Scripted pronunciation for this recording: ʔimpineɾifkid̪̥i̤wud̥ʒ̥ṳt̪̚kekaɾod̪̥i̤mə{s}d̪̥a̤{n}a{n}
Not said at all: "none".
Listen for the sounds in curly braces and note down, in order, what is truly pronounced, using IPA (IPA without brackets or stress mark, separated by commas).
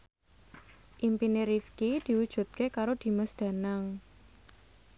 s, n, ŋ